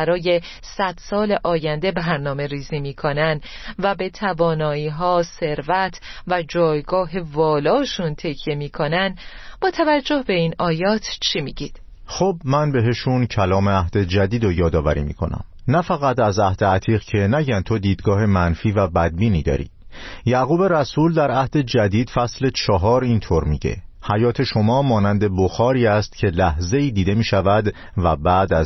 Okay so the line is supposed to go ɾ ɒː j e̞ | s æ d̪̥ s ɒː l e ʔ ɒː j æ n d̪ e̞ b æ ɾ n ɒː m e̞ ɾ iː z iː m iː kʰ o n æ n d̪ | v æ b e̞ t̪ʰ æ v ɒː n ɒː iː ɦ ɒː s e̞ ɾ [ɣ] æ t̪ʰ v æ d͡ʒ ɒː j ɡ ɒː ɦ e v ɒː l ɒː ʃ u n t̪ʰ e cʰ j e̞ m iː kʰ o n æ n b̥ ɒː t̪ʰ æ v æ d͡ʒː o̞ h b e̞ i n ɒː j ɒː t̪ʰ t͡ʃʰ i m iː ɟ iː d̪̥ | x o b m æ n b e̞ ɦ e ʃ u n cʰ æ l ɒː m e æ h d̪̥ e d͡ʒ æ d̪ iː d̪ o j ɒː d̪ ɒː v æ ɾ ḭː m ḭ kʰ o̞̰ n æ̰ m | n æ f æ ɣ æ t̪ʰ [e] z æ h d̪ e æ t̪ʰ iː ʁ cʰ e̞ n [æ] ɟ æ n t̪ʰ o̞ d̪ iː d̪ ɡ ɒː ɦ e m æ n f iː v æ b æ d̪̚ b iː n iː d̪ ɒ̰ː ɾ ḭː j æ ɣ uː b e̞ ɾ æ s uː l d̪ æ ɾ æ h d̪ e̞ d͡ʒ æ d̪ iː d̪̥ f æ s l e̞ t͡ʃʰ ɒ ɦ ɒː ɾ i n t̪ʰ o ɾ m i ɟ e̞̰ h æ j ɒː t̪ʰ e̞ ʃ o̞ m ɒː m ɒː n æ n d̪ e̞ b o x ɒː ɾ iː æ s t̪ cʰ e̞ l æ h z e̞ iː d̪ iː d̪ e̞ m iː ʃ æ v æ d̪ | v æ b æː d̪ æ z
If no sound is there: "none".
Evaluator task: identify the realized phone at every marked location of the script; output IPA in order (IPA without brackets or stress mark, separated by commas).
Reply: v, æ, æ